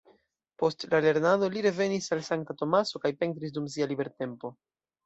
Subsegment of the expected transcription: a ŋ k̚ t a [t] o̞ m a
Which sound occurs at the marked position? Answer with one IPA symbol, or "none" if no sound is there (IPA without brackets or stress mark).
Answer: t